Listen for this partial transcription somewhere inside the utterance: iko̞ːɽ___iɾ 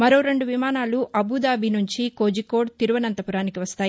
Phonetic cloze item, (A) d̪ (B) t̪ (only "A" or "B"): B